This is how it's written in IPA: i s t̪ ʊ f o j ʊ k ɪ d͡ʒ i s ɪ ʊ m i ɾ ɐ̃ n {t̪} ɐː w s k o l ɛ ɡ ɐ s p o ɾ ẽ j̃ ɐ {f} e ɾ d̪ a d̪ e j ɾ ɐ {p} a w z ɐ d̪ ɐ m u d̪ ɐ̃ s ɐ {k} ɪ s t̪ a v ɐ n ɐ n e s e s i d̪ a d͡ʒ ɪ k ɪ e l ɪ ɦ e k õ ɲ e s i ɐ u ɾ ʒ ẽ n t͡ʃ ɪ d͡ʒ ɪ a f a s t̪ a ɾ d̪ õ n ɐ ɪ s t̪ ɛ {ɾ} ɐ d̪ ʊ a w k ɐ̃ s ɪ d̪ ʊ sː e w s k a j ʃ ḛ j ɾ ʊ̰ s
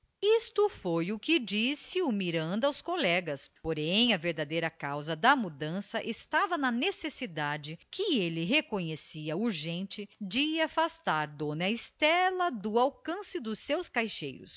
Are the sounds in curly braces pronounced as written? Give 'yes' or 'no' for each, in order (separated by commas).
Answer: no, no, no, no, no